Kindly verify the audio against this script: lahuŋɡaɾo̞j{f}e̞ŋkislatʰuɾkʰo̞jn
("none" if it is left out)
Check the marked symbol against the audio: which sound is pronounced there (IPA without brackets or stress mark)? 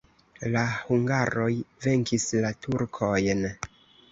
v